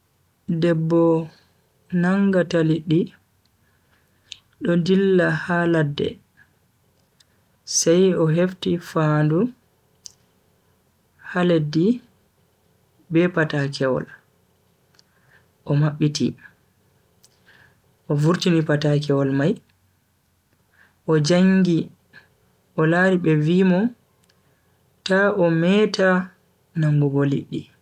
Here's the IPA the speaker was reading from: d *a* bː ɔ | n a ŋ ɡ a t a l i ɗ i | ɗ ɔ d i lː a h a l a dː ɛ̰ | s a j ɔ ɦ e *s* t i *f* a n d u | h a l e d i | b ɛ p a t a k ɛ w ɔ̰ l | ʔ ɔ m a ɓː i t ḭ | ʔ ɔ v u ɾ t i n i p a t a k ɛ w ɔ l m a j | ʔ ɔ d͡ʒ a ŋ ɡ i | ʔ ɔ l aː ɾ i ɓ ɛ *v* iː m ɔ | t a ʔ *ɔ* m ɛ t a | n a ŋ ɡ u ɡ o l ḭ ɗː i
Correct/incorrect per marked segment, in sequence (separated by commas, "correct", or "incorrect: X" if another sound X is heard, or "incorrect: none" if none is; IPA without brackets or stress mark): incorrect: ɛ, incorrect: f, correct, correct, correct